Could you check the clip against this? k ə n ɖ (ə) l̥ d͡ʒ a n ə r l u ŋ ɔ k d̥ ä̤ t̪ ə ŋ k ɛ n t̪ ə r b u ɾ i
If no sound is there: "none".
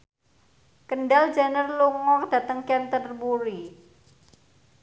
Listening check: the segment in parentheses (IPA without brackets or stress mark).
a